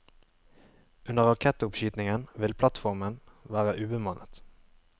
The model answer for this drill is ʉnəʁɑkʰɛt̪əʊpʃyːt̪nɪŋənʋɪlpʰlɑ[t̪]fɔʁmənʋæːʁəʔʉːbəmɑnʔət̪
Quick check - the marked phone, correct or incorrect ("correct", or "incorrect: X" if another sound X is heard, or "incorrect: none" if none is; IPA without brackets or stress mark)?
correct